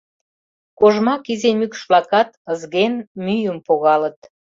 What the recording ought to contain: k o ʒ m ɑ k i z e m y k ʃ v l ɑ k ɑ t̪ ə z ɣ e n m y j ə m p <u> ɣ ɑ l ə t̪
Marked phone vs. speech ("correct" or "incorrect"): incorrect